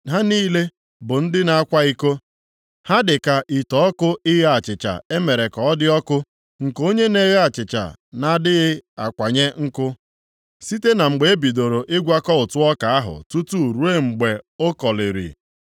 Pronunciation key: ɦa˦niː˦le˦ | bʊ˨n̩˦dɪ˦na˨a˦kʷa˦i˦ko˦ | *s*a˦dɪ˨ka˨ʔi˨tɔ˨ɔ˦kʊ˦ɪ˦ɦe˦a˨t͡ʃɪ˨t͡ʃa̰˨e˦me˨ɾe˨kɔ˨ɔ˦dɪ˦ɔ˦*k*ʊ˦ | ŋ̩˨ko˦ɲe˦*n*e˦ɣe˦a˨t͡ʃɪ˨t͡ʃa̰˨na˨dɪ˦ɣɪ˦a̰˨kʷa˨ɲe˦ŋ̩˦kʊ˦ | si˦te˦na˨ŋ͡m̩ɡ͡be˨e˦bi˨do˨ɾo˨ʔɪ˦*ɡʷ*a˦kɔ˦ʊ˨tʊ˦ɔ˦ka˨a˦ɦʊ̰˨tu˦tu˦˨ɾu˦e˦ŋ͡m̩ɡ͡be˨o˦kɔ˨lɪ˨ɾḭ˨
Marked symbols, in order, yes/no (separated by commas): no, yes, yes, yes